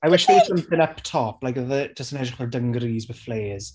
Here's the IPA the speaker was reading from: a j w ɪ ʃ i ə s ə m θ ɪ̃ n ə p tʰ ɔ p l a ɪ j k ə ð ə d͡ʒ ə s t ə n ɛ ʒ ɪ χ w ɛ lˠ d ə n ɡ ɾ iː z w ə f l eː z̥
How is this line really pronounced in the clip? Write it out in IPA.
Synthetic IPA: a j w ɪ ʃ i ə s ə m θ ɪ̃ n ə p tʰ ɔ p l a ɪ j k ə ð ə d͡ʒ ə s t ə n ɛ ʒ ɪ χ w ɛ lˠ d ə ŋ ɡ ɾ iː z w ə f l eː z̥